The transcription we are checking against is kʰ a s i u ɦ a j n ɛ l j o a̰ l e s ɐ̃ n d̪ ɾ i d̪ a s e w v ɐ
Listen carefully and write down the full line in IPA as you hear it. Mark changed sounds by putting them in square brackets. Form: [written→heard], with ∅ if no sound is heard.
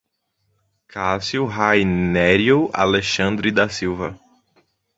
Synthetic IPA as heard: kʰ a s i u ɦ a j n ɛ [l→ɾ] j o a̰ l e [s→ʃ] ɐ̃ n d̪ ɾ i d̪ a s [e→i] w v ɐ